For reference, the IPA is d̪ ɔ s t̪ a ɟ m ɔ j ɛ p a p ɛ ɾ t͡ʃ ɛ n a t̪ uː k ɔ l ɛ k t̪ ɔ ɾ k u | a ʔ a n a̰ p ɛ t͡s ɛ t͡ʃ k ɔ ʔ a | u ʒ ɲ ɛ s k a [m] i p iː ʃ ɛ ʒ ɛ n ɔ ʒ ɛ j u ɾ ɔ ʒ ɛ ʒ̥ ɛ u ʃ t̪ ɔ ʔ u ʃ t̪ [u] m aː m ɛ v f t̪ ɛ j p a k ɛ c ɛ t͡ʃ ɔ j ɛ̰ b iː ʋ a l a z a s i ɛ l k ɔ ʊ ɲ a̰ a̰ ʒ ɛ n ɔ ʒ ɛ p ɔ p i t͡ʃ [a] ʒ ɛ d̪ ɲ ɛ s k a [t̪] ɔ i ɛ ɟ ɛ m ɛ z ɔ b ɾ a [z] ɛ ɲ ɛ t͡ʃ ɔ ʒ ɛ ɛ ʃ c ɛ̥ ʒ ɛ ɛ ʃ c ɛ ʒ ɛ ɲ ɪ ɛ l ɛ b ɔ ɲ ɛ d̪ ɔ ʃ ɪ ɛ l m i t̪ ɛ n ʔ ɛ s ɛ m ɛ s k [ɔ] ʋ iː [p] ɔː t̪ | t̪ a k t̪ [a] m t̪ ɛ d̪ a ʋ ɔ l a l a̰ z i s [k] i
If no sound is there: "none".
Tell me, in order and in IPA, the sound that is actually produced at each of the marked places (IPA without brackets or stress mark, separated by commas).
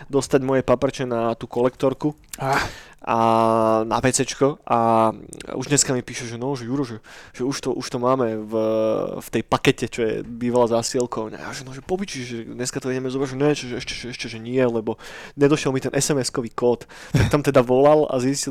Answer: m, ɔ, i, t̪, ʒ, ɔ, k, a, c